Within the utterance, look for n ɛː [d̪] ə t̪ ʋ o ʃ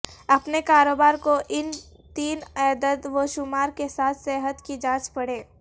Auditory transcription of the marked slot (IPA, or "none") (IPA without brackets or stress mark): d̪